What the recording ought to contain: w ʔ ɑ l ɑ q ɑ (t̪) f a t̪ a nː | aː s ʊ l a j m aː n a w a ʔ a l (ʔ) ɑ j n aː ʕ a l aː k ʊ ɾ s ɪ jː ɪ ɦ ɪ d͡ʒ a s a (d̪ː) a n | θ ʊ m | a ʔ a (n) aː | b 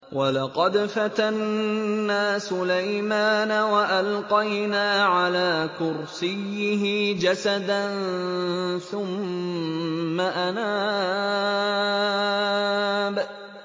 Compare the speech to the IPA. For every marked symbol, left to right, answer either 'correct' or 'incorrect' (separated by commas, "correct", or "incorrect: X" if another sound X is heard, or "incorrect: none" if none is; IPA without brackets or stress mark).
incorrect: d̪, incorrect: q, incorrect: d̪, correct